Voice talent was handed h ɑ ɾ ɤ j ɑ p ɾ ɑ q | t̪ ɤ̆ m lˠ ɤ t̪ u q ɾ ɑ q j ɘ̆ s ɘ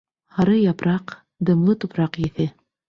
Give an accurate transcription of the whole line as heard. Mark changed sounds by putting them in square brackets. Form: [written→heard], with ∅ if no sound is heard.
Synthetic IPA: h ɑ ɾ ɤ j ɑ p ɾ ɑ q | [t̪→d̪] ɤ̆ m lˠ ɤ t̪ u [q→p] ɾ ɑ q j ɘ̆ [s→θ] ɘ

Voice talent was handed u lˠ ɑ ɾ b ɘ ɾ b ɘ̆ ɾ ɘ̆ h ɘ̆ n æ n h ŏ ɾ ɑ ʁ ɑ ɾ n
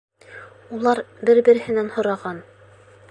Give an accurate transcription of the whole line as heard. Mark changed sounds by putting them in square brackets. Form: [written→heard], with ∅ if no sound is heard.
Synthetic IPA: u lˠ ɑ ɾ b ɘ ɾ b ɘ̆ ɾ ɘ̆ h ɘ̆ n æ n h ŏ ɾ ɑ ʁ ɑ [ɾ→∅] n

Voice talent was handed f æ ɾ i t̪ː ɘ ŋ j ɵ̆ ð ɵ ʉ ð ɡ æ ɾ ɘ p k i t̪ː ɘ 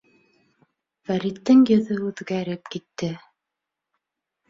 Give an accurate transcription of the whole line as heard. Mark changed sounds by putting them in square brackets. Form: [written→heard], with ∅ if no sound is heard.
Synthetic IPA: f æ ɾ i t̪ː ɘ ŋ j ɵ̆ ð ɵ ʉ ð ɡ æ ɾ ɘ p k i t̪ː ɘ

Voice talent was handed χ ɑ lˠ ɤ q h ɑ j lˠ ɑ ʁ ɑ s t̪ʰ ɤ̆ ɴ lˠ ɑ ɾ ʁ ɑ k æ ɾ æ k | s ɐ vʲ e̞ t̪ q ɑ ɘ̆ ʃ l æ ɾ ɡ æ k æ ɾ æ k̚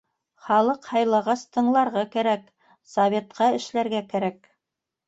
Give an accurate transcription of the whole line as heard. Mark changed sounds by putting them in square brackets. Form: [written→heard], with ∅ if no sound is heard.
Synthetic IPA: χ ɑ lˠ ɤ q h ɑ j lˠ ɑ ʁ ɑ s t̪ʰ ɤ̆ ɴ lˠ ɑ ɾ ʁ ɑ k æ ɾ æ k | s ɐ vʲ e̞ t̪ q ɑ ɘ̆ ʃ l æ ɾ ɡ æ k æ ɾ æ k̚

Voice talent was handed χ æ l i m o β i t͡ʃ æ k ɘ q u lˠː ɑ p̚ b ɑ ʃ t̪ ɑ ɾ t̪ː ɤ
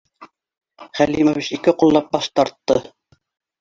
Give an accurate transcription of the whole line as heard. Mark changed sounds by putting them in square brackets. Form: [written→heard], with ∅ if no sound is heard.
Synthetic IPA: χ æ l i m o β i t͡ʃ [æ→i] k ɘ q u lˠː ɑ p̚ b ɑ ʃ t̪ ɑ ɾ t̪ː ɤ

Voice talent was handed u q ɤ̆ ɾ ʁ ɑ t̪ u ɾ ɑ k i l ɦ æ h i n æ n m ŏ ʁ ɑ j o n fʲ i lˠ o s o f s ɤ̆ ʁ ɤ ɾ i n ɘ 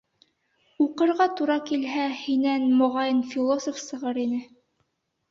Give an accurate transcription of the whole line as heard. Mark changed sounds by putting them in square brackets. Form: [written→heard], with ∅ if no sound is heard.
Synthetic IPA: u q ɤ̆ ɾ ʁ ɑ t̪ u ɾ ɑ k i l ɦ æ h i n æ n m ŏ ʁ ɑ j [o→ɤ] n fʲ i lˠ o s o f s ɤ̆ ʁ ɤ ɾ i n ɘ

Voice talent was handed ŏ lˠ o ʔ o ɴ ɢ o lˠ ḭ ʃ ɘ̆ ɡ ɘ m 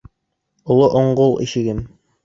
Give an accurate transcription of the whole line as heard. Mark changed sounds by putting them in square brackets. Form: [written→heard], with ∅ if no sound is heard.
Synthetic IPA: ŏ lˠ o ʔ o ɴ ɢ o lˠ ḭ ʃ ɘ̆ ɡ ɘ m

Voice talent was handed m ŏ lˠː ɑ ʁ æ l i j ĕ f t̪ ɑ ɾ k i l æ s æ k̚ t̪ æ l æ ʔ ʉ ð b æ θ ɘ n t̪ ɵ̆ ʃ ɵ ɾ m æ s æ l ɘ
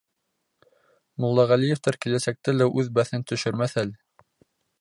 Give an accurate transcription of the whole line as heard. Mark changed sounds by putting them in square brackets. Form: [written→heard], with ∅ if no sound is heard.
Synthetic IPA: m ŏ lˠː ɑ ʁ æ l i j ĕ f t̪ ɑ ɾ k i l æ s æ k̚ t̪ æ l æ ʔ ʉ ð b æ θ ɘ n t̪ ɵ̆ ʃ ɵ ɾ m æ [s→θ] æ l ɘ

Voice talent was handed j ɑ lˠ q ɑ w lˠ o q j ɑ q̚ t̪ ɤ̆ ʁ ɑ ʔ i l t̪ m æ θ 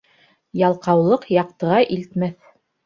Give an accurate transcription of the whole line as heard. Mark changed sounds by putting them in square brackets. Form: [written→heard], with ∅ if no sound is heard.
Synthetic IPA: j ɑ lˠ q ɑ w lˠ [o→ɤ] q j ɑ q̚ t̪ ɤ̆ ʁ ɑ ʔ i l t̪ m æ θ

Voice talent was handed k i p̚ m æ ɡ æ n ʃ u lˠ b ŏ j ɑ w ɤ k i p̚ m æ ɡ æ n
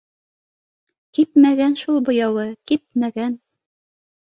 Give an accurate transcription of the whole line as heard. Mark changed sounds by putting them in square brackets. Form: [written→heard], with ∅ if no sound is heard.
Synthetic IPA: k i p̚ m æ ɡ æ n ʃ u lˠ b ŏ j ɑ w ɤ k i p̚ m æ ɡ æ n

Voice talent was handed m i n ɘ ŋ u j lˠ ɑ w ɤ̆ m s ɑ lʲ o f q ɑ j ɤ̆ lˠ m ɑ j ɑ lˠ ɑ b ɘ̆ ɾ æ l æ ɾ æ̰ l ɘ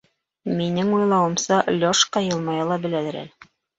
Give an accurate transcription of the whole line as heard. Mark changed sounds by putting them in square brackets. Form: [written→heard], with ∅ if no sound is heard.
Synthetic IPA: m i n ɘ ŋ u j lˠ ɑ w ɤ̆ m s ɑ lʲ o [f→ʃ] q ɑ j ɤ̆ lˠ m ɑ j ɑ lˠ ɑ b ɘ̆ [ɾ→l] æ l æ ɾ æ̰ l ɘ

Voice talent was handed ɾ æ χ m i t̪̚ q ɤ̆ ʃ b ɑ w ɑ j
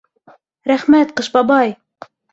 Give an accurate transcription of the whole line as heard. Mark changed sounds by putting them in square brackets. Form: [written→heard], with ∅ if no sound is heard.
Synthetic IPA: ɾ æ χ m [i→æ] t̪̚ q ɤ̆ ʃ b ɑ [w→b] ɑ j

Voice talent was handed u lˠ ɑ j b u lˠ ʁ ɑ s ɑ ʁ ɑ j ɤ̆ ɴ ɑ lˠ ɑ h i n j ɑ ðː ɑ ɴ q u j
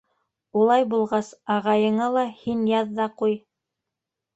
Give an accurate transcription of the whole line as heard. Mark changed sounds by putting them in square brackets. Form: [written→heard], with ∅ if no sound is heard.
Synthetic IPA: u lˠ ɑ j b u lˠ ʁ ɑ s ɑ ʁ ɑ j ɤ̆ ɴ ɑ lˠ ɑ h i n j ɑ ðː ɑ [ɴ→∅] q u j

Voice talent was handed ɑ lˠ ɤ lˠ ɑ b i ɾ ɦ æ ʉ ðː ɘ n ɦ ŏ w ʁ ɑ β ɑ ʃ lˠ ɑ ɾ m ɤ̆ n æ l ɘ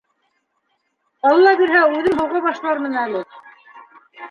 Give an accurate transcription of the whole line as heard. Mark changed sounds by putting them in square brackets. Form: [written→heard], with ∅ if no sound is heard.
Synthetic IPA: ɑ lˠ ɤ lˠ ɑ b i ɾ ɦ æ ʉ [ðː→ð] ɘ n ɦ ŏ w ʁ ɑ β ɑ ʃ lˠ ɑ ɾ m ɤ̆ n æ l ɘ

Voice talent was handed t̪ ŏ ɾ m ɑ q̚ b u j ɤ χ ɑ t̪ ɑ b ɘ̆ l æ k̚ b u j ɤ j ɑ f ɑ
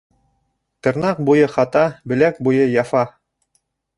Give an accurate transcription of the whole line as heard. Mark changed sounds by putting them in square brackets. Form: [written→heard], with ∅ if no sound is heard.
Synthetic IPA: t̪ [ŏ→ɤ̆] ɾ [m→n] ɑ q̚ b u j ɤ χ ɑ t̪ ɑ b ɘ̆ l æ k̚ b u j ɤ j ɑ f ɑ

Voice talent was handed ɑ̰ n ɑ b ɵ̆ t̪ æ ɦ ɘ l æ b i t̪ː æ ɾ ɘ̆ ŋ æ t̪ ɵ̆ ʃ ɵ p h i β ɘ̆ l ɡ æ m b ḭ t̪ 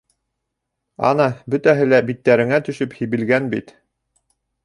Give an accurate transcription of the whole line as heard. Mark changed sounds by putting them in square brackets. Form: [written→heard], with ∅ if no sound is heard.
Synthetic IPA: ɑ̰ n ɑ b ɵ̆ t̪ æ ɦ ɘ l æ b i t̪ː æ ɾ ɘ̆ ŋ æ t̪ ɵ̆ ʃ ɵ p h i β ɘ̆ l ɡ æ [m→n] b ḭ t̪

